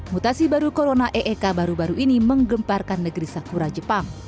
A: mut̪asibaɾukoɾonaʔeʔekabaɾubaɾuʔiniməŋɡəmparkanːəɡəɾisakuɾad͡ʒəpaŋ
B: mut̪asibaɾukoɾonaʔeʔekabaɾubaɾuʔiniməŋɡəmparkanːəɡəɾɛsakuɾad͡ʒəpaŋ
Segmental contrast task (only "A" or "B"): A